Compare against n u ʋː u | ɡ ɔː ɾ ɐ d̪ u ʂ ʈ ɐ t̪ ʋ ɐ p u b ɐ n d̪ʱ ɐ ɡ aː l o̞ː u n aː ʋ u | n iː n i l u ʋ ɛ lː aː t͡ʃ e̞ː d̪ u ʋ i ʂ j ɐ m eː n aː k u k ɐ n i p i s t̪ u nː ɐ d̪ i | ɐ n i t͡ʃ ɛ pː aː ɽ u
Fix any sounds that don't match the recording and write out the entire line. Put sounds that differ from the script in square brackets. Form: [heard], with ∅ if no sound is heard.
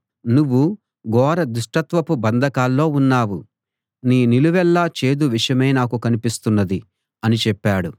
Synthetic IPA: n u ʋː u | ɡ ɔː ɾ ɐ d̪ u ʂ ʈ ɐ t̪ ʋ ɐ p u b ɐ n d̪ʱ ɐ [k] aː [lː] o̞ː u [nː] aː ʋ u | n iː n i l u ʋ ɛ lː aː t͡ʃ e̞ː d̪ u ʋ i ʂ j ɐ m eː n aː k u k ɐ n i p i s t̪ u nː ɐ d̪ i | ɐ n i t͡ʃ ɛ pː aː ɽ u